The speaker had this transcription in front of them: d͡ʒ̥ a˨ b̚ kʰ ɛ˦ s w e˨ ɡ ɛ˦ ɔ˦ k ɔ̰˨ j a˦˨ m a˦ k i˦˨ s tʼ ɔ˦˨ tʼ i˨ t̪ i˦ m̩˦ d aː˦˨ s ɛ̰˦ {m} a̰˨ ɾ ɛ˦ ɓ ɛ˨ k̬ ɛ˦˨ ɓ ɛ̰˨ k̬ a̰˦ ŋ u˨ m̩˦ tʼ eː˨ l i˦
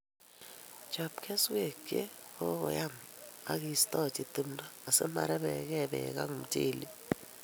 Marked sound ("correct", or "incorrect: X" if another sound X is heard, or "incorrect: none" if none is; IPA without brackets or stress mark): correct